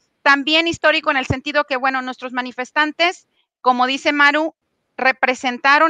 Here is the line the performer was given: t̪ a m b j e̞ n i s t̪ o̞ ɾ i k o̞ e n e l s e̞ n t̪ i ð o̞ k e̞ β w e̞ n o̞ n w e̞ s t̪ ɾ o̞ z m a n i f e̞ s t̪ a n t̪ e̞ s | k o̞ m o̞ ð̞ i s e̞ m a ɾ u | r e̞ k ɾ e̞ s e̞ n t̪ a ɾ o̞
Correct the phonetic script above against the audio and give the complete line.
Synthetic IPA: t̪ a m b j e̞ n i s t̪ o̞ ɾ i k o̞ e n e l s e̞ n t̪ i ð o̞ k e̞ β w e̞ n o̞ n w e̞ s t̪ ɾ o̞ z m a n i f e̞ s t̪ a n t̪ e̞ s | k o̞ m o̞ ð̞ i s e̞ m a ɾ u | r e̞ p ɾ e̞ s e̞ n t̪ a ɾ o̞